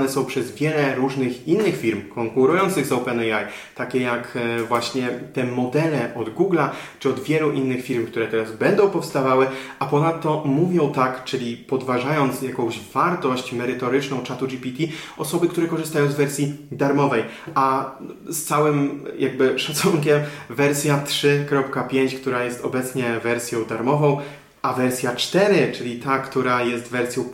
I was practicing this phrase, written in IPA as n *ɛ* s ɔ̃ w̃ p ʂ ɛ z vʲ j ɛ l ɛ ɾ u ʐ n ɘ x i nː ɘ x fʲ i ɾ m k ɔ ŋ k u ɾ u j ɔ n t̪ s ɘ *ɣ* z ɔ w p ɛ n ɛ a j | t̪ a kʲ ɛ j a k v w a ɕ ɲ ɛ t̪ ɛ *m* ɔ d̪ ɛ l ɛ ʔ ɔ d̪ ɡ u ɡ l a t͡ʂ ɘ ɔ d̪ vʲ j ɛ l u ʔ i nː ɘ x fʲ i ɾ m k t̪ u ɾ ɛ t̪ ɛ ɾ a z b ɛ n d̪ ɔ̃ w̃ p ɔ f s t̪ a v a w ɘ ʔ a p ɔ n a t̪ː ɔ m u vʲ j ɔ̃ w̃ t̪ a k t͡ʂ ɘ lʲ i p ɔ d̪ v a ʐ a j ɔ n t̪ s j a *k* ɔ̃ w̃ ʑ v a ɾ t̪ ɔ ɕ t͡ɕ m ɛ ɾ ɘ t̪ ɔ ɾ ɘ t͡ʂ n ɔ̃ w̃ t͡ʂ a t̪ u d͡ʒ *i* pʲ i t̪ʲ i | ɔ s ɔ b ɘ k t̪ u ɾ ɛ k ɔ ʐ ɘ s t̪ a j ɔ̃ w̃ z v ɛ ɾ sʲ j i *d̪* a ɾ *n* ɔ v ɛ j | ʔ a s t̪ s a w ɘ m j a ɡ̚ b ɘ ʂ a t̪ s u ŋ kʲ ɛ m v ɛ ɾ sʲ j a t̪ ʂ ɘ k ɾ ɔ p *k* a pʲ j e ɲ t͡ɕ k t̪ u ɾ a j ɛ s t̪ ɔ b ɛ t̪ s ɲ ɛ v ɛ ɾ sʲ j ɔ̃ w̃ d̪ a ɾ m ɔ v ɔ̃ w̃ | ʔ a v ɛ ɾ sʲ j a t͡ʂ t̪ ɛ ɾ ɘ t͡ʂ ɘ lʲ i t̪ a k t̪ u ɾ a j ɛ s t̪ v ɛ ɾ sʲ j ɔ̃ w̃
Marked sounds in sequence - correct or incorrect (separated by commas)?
correct, correct, correct, correct, correct, correct, incorrect, correct